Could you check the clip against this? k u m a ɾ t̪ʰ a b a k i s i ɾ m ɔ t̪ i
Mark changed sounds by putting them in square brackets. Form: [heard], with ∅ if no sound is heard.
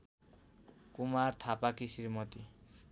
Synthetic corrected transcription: k u m a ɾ t̪ʰ a [p] a k i s i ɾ m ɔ t̪ i

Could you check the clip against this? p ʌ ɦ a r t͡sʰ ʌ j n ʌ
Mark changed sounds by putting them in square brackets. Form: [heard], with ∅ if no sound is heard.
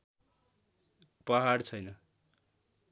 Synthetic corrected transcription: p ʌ ɦ a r t͡sʰ ʌ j n ʌ

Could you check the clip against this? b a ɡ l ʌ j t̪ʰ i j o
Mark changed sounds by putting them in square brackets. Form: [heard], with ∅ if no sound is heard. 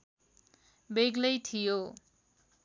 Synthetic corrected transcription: b [e] ɡ l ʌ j t̪ʰ i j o

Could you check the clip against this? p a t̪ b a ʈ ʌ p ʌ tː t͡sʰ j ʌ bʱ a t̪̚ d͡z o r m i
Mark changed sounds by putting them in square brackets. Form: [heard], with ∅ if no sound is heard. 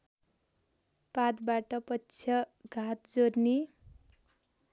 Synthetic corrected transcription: p a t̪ b a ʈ ʌ p ʌ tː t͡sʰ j ʌ [ɡʱ] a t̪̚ d͡z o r [n] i

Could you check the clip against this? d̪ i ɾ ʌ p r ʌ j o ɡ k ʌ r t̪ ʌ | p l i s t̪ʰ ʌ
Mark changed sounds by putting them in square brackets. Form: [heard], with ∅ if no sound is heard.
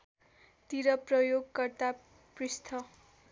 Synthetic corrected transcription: [t̪] i ɾ ʌ p r ʌ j o ɡ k ʌ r t̪ [a] | p [r] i s t̪ʰ ʌ

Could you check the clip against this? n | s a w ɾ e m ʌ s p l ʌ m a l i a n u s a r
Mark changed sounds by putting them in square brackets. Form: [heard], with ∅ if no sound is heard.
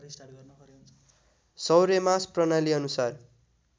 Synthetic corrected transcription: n | s [ʌ] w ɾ e m [a] s p [r] ʌ [n] a l i [ʌ] n u s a r

